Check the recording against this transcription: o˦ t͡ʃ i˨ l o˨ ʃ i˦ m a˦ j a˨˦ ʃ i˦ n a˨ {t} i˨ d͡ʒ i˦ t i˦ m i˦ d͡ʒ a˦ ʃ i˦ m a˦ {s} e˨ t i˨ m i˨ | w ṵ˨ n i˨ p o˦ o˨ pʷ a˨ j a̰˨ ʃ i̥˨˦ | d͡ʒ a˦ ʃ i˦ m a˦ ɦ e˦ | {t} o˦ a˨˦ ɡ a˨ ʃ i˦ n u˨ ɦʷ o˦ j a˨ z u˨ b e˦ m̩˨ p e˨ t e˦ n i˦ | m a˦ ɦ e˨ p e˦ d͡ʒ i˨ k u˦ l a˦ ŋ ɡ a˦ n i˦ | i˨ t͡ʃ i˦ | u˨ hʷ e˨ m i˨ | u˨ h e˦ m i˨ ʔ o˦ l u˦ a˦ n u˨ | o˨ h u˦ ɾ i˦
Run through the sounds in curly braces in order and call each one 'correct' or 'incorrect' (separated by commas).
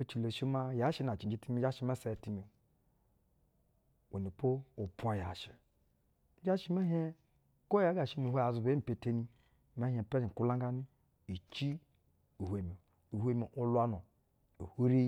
incorrect, correct, incorrect